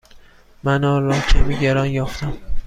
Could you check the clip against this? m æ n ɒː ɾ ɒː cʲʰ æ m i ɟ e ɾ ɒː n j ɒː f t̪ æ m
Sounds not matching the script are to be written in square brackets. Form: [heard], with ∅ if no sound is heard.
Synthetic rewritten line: m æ n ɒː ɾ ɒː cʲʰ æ m i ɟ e ɾ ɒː n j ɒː f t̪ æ m

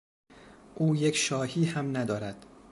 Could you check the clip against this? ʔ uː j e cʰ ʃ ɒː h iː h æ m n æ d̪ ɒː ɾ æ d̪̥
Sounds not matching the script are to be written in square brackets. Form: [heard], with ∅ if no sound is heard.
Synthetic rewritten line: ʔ uː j e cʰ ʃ ɒː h iː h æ m n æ d̪ ɒː ɾ æ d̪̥

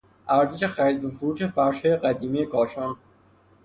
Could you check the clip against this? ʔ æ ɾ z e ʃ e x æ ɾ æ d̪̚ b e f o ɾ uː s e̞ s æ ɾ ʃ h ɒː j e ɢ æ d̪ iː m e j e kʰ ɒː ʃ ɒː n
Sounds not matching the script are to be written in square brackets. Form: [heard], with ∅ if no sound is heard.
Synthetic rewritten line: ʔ æ ɾ z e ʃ e x æ ɾ [i] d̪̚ b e f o ɾ uː [ʃ] e̞ [f] æ ɾ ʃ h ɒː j e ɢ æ d̪ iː m [i] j e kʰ ɒː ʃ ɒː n

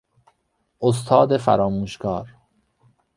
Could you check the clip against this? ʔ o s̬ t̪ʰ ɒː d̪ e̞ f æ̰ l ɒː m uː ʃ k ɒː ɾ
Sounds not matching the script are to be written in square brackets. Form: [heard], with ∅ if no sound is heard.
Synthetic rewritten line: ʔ o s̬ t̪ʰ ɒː d̪ e̞ f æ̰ [ɾ] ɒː m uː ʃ k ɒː ɾ

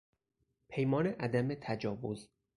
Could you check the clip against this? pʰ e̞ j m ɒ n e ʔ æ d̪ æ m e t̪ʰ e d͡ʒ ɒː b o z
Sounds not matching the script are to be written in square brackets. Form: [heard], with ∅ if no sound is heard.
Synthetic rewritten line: pʰ e̞ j m [ɒː] n e ʔ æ d̪ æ m e t̪ʰ [æ] d͡ʒ ɒː [v] o z

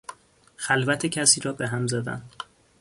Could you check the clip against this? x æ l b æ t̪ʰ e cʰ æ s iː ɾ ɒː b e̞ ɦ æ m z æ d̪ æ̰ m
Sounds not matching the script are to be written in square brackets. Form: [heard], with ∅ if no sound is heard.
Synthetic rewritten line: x æ l [v] æ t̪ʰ e cʰ æ s iː ɾ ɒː b e̞ ɦ æ m z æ d̪ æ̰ [n]

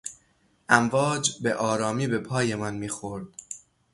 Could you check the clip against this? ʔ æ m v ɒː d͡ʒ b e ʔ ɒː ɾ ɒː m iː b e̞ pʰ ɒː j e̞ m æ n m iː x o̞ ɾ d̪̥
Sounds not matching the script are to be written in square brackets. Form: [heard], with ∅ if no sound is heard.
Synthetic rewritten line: ʔ æ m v ɒː d͡ʒ b e ʔ ɒː ɾ ɒː m iː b e̞ pʰ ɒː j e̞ m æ n m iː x o̞ ɾ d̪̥

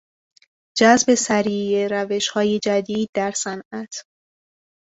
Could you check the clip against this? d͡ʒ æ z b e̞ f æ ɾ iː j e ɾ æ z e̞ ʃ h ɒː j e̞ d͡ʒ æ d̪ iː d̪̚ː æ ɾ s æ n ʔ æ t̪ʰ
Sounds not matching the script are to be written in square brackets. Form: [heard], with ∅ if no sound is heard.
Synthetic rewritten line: d͡ʒ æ z b e̞ [s] æ ɾ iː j e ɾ æ [v] e̞ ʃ h ɒː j e̞ d͡ʒ æ d̪ iː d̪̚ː æ ɾ s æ n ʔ æ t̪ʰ

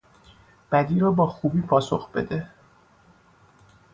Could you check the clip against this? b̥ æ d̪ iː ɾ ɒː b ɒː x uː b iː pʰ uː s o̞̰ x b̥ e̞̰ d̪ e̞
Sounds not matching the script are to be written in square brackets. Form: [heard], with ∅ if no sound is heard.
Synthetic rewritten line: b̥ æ d̪ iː ɾ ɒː b ɒː x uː b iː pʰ [ɒː] s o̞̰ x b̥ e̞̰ d̪ e̞

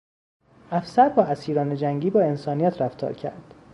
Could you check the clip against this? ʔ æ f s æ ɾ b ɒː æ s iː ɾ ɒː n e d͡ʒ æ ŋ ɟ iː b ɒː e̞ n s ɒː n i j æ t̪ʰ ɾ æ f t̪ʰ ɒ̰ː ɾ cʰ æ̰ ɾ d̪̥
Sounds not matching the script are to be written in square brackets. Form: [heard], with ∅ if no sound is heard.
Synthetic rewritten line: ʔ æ f s æ ɾ b ɒː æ s iː ɾ ɒː n e d͡ʒ æ ŋ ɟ iː b ɒː e̞ n s ɒː n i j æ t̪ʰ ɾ æ f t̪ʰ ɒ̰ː ɾ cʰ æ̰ ɾ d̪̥

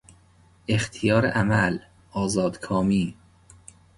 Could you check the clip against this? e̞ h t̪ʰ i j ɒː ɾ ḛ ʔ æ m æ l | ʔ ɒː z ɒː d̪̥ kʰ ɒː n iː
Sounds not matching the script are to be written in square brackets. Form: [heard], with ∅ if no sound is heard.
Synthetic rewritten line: e̞ [x] t̪ʰ i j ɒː ɾ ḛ ʔ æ m æ l | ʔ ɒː z ɒː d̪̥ kʰ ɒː [m] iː

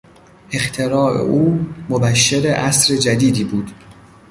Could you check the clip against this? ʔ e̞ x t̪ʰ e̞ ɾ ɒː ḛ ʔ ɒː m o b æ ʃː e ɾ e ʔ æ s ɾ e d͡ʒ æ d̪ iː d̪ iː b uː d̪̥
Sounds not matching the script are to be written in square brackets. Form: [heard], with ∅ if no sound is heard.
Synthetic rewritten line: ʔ e̞ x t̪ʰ e̞ ɾ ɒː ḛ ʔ [uː] m o b æ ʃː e ɾ e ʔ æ s ɾ e d͡ʒ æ d̪ iː d̪ iː b uː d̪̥

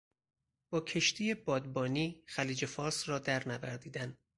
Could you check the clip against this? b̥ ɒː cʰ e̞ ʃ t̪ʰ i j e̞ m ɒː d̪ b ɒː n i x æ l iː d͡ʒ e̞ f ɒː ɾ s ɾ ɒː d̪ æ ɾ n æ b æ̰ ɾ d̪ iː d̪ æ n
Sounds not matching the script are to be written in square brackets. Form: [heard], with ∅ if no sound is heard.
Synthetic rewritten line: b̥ ɒː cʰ e̞ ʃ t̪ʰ i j e̞ [b] ɒː d̪ b ɒː n [iː] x æ l iː d͡ʒ e̞ f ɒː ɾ s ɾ ɒː d̪ æ ɾ n æ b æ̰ ɾ d̪ iː d̪ æ n

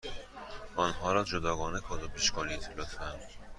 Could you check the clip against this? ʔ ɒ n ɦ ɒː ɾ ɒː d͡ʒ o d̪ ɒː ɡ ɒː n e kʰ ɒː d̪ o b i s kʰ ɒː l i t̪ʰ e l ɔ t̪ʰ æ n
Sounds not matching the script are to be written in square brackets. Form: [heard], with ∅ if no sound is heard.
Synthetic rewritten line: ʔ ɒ n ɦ ɒː ɾ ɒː d͡ʒ o d̪ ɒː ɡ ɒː n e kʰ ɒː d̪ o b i [ʃ] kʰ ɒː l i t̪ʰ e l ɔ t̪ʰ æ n

